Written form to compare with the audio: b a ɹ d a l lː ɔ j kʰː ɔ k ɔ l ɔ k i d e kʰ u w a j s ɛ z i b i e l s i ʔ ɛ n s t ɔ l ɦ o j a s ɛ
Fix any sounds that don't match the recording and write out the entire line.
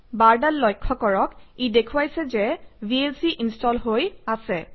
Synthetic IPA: b a ɹ d a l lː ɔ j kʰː ɔ k ɔ ɹ ɔ k i d e kʰ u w a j s ɛ z ɛ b i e l s i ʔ i n s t ɔ l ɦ o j a s ɛ